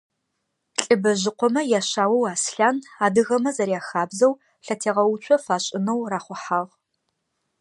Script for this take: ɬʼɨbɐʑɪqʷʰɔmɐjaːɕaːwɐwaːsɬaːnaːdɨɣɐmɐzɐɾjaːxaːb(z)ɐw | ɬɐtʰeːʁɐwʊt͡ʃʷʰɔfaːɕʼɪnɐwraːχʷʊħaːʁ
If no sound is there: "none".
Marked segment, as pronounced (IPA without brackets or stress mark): z